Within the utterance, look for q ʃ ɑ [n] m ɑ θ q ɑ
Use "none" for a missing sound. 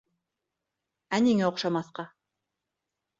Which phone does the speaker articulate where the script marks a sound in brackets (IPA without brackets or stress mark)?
none